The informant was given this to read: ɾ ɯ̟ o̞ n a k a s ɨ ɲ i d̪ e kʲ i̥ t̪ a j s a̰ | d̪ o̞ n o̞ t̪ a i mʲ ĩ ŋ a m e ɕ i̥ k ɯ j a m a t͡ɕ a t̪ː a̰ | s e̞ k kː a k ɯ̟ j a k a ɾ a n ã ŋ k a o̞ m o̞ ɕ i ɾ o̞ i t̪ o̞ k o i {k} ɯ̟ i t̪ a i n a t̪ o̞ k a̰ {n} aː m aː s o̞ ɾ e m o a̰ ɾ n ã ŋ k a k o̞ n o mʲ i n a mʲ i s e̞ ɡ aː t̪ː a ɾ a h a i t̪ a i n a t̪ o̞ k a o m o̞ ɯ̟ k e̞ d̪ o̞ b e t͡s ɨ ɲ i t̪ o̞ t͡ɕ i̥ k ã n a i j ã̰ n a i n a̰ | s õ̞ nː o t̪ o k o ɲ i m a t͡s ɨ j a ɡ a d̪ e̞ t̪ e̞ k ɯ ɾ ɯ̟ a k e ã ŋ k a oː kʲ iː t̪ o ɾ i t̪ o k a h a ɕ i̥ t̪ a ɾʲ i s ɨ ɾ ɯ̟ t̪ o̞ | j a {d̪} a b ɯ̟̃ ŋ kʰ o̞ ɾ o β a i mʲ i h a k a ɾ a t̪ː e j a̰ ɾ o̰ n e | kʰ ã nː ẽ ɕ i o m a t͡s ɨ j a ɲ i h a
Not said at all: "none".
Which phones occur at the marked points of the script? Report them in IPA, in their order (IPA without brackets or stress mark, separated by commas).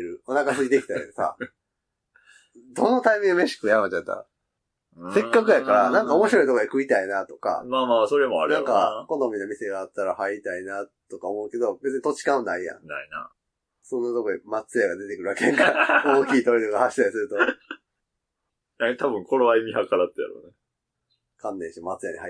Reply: k, m, t̪